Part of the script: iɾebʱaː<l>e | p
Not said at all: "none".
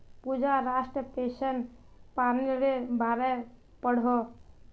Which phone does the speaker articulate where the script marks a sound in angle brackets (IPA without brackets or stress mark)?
ɾ